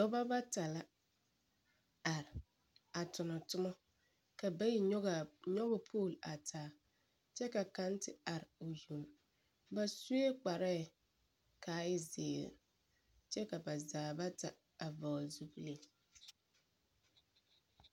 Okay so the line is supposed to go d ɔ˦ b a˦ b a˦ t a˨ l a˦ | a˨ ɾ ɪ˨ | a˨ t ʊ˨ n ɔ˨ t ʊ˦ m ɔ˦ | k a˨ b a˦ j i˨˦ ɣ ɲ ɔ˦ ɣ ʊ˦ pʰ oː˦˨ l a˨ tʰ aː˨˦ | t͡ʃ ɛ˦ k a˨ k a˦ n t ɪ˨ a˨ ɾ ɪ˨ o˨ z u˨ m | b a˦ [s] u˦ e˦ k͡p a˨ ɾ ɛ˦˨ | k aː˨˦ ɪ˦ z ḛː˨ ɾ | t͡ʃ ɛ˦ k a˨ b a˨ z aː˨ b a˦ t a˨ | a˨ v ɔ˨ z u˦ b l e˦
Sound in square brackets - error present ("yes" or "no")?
no